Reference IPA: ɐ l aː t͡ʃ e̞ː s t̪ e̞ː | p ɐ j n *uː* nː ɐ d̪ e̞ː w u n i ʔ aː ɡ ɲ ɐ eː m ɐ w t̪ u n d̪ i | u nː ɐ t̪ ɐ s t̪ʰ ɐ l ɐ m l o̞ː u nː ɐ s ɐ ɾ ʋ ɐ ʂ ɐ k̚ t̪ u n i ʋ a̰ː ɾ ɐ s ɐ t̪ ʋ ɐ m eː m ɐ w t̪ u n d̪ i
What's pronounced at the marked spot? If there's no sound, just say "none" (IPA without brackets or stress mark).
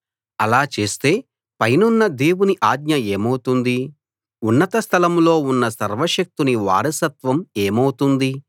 u